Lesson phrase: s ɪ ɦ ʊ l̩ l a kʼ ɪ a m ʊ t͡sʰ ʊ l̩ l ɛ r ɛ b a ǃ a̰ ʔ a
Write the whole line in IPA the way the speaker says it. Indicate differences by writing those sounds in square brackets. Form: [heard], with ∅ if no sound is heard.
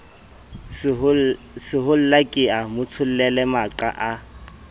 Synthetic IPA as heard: s ɪ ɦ ʊ l̩ l a kʼ ɪ a m ʊ t͡sʰ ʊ l̩ l ɛ [l] ɛ [m] a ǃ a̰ ʔ a

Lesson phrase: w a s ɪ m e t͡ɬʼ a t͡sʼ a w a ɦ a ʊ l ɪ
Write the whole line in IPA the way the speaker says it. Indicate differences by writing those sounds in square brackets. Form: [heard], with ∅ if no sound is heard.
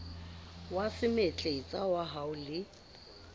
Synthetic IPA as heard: w a s ɪ m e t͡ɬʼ [e] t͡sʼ a w a ɦ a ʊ l ɪ

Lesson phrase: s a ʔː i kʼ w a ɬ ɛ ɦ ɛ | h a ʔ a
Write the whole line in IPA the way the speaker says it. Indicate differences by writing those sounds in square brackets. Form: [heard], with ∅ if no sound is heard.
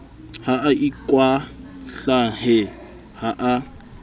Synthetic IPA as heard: [h] a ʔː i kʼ w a ɬ [a] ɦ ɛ | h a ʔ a

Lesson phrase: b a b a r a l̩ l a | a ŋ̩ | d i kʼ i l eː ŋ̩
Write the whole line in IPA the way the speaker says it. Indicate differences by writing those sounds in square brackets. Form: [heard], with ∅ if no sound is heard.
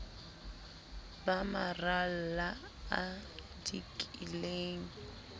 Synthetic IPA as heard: b a [m] a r a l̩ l a | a [∅] | d i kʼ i l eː ŋ̩

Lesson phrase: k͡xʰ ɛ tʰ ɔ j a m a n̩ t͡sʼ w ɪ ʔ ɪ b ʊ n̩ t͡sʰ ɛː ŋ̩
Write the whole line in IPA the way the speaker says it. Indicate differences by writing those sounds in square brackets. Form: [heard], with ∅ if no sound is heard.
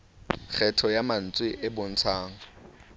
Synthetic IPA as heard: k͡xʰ ɛ tʰ ɔ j a m a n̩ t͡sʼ w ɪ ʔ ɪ b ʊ n̩ t͡sʰ [aː] ŋ̩

